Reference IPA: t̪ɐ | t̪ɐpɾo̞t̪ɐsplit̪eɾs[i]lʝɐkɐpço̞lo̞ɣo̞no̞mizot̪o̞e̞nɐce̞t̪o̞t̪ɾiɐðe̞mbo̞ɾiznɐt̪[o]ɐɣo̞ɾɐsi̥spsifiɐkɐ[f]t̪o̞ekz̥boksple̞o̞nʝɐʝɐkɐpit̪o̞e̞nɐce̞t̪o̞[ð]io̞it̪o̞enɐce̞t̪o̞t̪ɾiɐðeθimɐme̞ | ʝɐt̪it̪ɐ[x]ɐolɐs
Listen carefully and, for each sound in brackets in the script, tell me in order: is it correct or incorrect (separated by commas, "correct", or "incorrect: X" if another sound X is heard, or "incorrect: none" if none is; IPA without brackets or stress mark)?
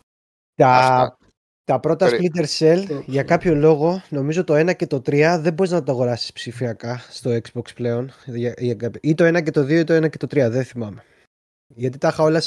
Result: incorrect: e, correct, incorrect: s, correct, correct